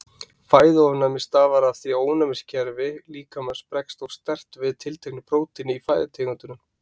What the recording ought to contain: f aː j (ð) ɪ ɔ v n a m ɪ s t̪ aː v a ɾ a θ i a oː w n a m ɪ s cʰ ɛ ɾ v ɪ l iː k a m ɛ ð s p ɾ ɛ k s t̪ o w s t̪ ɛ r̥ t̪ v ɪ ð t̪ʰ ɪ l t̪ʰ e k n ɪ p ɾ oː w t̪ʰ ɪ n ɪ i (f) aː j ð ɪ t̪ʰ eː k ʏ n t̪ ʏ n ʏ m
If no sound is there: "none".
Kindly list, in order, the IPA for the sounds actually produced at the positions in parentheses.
ð, f

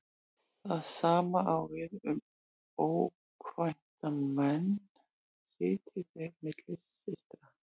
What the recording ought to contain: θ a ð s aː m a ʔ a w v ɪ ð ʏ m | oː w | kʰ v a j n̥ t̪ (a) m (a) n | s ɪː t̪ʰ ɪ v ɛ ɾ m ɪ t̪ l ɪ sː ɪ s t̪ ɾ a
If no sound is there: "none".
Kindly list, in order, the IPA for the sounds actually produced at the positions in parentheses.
a, ɛ

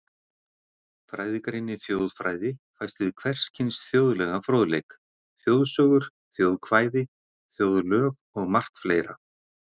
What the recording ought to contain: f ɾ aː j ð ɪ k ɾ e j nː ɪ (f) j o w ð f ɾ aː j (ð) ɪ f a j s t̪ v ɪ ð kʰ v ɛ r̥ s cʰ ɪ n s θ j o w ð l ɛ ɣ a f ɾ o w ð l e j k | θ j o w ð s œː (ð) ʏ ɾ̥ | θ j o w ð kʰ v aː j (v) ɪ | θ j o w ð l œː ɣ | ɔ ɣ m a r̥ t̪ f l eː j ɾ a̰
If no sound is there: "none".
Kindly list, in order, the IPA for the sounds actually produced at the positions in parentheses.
θ, ð, ɣ, ð

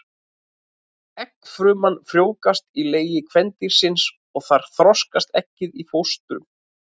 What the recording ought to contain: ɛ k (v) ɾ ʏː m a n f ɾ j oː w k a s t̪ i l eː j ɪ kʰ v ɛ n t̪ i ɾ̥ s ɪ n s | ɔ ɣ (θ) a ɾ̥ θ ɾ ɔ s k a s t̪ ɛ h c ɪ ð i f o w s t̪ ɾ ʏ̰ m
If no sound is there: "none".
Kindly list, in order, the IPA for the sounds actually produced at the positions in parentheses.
f, θ

